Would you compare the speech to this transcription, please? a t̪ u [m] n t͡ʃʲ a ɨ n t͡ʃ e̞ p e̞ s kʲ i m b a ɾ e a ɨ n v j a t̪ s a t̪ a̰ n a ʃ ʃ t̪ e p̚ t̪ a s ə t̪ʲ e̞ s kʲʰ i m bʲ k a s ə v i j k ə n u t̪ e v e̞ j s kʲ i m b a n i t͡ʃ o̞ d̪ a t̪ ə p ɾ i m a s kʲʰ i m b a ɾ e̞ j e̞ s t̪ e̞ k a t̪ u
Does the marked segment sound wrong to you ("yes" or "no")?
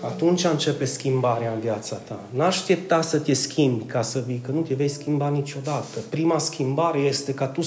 yes